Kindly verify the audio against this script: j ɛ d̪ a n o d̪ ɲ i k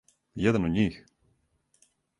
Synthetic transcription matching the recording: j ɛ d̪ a n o d̪ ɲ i x